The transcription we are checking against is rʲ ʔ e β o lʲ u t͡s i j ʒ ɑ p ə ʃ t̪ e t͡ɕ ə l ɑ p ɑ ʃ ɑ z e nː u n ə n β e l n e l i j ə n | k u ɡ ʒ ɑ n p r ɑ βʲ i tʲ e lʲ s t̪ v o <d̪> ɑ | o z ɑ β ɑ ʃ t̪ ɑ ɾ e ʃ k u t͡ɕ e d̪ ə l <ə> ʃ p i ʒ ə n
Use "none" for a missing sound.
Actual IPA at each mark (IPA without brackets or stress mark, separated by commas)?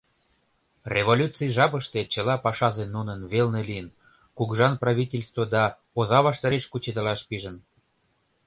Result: d̪, ɑ